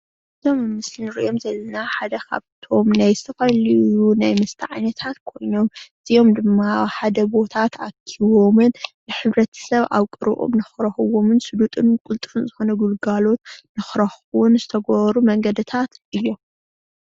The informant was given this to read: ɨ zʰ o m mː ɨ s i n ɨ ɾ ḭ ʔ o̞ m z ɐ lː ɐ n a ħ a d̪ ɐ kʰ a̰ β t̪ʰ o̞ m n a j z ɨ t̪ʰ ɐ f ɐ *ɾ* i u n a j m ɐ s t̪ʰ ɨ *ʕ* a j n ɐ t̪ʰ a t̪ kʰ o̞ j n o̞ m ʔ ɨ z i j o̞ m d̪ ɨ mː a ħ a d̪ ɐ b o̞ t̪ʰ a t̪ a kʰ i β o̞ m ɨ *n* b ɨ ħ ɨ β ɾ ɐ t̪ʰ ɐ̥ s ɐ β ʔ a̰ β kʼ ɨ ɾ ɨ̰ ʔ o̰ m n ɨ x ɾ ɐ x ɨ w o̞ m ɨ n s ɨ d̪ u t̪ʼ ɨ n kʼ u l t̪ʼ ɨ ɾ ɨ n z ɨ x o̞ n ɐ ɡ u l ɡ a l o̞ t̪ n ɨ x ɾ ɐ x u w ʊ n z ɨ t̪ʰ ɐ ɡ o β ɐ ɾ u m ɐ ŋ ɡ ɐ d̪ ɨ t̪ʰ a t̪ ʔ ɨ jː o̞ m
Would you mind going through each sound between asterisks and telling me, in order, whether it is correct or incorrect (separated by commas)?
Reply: incorrect, correct, correct